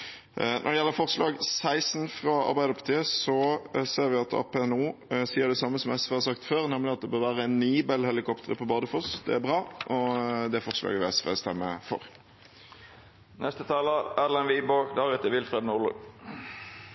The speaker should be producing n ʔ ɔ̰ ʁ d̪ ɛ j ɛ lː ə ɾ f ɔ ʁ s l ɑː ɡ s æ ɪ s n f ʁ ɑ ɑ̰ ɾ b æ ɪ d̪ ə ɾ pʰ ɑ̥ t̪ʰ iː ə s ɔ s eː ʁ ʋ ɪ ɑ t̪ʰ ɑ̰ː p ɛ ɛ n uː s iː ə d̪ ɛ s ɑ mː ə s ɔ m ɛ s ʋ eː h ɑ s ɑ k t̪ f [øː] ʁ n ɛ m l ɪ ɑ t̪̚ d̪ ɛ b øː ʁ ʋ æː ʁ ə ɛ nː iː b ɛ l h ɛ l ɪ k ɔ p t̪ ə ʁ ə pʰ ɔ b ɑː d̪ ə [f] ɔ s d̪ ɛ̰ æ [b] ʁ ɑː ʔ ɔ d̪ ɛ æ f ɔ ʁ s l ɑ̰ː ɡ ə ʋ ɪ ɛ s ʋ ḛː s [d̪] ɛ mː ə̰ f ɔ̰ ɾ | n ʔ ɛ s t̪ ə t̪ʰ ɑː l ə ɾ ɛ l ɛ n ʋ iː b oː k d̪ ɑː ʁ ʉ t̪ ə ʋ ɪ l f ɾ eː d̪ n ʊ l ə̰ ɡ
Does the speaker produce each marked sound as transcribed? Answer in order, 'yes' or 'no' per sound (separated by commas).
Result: yes, yes, yes, no